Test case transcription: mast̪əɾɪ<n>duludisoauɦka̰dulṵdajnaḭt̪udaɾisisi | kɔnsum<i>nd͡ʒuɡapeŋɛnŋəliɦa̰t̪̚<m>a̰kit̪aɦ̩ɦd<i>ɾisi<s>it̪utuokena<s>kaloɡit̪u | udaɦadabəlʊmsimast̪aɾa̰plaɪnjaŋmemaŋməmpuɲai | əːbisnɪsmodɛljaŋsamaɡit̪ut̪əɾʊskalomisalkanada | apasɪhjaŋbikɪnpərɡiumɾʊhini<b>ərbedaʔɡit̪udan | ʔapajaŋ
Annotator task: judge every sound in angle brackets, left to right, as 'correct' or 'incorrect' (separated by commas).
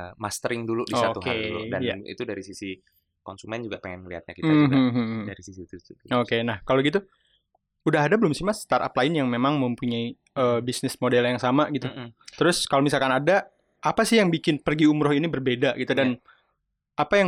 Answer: incorrect, incorrect, incorrect, incorrect, correct, incorrect, correct